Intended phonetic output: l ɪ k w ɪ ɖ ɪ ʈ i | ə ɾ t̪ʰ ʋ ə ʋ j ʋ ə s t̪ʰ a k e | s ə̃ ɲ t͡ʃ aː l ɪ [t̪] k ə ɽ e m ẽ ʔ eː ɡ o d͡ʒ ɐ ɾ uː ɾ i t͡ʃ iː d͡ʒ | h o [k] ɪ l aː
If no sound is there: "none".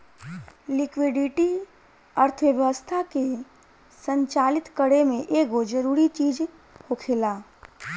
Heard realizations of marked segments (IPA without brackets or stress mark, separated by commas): t̪, kʰ